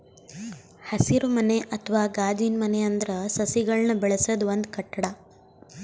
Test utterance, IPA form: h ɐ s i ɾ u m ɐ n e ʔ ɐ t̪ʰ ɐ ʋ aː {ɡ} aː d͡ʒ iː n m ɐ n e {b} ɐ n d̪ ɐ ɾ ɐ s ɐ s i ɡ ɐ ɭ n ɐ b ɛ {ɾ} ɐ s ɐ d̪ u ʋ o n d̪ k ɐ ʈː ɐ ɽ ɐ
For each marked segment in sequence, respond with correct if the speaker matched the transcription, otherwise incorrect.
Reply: correct, incorrect, incorrect

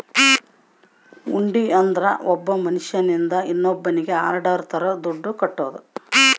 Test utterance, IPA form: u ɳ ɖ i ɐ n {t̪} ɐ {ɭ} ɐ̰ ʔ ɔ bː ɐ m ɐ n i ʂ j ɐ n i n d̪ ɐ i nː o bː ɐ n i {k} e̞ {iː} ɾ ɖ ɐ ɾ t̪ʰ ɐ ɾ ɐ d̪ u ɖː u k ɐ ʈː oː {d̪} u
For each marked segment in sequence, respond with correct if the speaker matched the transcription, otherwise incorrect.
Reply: incorrect, incorrect, incorrect, incorrect, correct

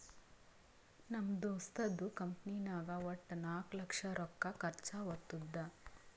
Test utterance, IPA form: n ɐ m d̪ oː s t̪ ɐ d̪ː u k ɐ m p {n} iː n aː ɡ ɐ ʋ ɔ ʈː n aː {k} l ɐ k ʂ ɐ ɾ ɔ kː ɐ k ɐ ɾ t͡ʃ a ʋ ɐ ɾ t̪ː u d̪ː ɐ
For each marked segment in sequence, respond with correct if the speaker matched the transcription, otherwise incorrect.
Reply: correct, correct

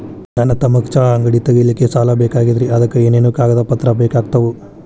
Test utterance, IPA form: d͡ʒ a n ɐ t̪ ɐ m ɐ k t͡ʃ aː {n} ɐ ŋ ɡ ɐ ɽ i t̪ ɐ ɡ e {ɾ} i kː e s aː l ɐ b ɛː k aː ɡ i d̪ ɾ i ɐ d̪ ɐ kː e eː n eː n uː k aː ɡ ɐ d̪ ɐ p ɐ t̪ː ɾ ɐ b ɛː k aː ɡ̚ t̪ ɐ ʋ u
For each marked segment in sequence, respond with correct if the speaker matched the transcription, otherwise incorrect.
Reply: incorrect, incorrect

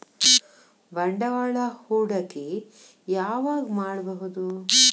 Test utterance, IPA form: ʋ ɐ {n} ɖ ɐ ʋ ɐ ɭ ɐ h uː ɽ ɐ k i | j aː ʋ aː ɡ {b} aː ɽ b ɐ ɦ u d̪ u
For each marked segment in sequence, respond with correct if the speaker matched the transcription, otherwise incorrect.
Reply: incorrect, incorrect

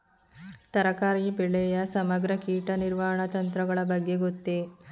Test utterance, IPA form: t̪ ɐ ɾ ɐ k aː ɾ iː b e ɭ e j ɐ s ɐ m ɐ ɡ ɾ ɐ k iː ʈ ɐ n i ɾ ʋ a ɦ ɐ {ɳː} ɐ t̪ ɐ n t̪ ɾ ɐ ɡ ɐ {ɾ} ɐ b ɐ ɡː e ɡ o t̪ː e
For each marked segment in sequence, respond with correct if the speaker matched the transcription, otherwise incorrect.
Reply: incorrect, incorrect

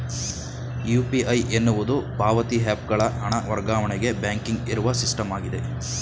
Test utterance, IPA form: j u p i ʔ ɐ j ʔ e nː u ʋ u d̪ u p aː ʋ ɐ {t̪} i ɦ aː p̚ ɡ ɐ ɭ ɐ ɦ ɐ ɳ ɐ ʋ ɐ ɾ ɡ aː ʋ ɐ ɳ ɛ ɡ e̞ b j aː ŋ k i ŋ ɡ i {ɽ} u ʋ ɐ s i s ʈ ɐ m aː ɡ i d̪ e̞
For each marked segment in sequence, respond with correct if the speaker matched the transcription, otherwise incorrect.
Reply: correct, incorrect

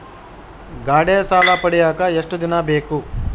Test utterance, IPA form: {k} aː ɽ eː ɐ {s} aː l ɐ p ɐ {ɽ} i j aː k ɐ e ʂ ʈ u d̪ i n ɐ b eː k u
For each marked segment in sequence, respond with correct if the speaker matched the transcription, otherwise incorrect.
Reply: incorrect, correct, correct

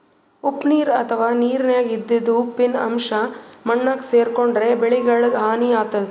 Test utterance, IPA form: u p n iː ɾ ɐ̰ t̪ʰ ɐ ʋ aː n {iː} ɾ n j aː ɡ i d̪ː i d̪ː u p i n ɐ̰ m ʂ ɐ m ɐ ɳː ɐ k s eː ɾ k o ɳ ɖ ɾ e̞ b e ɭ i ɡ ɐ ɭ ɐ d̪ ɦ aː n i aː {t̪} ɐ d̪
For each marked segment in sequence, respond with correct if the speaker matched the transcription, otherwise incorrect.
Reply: correct, correct

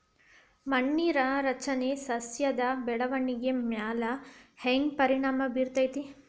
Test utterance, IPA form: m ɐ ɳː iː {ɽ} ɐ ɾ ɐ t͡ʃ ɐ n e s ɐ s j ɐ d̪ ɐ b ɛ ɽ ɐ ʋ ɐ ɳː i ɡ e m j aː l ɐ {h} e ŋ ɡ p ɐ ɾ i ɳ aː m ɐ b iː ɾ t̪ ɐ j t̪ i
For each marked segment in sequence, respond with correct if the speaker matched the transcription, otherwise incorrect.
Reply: incorrect, correct

